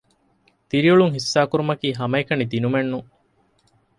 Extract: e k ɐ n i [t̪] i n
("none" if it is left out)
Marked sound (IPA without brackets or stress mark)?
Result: d̪